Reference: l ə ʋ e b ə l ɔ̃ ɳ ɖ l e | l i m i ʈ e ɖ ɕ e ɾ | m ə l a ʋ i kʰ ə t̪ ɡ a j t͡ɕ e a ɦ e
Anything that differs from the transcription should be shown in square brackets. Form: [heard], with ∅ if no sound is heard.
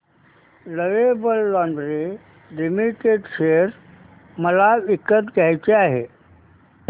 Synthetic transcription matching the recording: l ə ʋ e b ə [lː] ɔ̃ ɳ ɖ [ɾ] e | l i m i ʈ e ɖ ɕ e ɾ | m ə l a ʋ i [k] ə t̪ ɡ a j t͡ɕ e a ɦ e